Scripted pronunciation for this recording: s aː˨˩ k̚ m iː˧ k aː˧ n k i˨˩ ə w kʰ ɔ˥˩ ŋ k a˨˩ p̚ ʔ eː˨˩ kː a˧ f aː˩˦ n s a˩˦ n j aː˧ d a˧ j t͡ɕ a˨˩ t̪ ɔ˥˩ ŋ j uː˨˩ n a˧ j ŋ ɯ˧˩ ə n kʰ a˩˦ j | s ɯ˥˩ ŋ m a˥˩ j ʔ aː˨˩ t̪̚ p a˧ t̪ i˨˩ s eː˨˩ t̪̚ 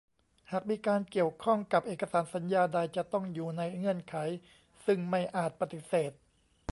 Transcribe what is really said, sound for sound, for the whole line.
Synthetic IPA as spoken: h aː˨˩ k̚ m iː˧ k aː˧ n k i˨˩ ə w kʰ ɔ˥˩ ŋ k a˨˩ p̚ ʔ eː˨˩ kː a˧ s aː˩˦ n s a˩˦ n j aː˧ d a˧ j t͡ɕ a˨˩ t̪ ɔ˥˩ ŋ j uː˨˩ n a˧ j ŋ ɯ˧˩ ə n kʰ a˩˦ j | s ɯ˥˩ ŋ m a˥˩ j ʔ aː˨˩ t̪̚ p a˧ t̪ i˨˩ s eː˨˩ t̪̚